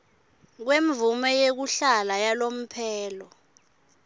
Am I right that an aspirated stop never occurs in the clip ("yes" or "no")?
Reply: no